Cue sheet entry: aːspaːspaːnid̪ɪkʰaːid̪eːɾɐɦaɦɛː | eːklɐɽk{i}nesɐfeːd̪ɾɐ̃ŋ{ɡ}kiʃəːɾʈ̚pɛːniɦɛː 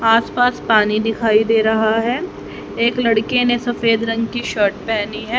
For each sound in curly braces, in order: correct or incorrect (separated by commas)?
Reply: incorrect, correct